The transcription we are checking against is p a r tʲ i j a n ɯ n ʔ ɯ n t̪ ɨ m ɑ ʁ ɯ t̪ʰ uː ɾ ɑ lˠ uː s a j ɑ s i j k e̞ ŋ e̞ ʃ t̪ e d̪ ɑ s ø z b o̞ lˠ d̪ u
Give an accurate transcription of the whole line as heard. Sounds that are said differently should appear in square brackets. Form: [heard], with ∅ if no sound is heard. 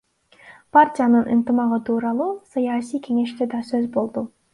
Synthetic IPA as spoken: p a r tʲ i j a n ɯ n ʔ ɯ n t̪ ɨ m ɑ ʁ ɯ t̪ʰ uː ɾ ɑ lˠ uː s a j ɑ s i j k e̞ ŋ e̞ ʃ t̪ e d̪ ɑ s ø z b o̞ lˠ d̪ u